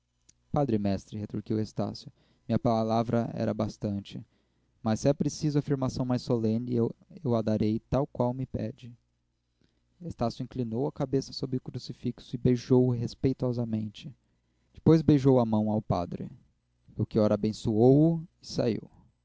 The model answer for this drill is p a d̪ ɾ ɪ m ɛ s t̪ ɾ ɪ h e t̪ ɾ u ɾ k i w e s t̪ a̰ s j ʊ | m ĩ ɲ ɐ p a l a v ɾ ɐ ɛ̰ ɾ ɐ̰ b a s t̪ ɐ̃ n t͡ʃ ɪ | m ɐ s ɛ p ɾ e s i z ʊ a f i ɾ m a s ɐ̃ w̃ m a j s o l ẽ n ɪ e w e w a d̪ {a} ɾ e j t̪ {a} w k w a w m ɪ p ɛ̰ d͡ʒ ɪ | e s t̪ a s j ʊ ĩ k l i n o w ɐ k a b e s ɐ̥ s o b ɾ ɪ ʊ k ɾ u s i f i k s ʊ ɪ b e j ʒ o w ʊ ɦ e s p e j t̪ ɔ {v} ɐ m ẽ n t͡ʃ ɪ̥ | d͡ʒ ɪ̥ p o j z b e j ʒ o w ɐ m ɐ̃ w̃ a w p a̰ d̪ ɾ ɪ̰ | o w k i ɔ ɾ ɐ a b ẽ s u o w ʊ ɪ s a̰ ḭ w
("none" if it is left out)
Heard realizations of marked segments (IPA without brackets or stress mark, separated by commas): a, a, z